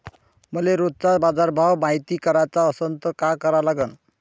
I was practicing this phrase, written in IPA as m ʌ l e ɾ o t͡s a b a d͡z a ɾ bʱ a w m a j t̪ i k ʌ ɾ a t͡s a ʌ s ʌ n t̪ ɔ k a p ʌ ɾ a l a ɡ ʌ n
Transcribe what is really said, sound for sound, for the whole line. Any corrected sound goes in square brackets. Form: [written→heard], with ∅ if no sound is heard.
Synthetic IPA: m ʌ l e ɾ o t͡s a b a d͡z a ɾ bʱ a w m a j t̪ i k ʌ ɾ a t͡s a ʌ s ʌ n t̪ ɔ k a [p→k] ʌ ɾ a l a ɡ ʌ n